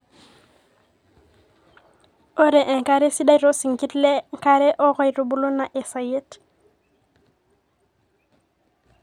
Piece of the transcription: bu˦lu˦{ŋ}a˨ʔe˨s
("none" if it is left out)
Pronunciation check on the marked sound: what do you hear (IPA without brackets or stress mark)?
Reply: n